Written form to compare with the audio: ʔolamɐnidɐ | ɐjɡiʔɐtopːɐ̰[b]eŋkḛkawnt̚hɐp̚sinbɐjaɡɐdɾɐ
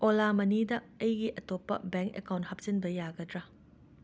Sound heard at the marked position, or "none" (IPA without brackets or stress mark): b